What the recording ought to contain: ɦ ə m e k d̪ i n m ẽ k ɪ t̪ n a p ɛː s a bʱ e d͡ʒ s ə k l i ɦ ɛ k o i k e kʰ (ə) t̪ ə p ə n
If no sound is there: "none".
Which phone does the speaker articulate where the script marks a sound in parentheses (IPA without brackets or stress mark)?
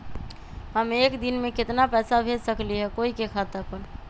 a